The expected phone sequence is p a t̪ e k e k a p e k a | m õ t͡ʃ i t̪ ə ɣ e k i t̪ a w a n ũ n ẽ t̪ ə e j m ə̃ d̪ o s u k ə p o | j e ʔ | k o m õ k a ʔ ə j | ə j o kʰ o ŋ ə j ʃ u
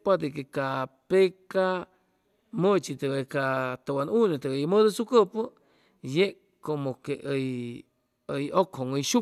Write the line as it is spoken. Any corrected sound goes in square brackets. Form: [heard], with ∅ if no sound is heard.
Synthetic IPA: p a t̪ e k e k a p e k a | m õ t͡ʃ i t̪ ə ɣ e k [a] t̪ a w a n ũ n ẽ t̪ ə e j m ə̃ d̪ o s u k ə p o | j e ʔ | k o m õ k [e] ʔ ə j | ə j o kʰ o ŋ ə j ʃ u

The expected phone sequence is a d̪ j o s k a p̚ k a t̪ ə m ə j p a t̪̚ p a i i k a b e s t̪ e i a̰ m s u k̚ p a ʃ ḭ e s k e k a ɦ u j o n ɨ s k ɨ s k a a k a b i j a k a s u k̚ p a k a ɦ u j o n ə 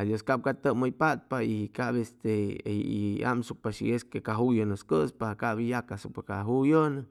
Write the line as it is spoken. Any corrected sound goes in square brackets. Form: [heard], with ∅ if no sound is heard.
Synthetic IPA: a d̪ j o s k a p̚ k a t̪ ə m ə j p a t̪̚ p a i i k a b e s t̪ e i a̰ m s u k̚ p a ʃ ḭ e s k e k a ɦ u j o n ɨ s k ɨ s [p] a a k a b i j a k a s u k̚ p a k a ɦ u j o n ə

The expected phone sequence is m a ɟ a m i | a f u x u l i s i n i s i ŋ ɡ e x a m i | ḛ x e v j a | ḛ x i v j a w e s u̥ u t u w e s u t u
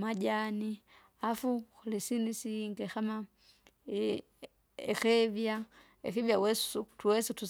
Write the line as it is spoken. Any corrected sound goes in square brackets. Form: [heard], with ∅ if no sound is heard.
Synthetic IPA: m a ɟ a [n] i | a f u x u l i s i n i s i ŋ ɡ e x a m [a] | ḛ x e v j a | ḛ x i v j a w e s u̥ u t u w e s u t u

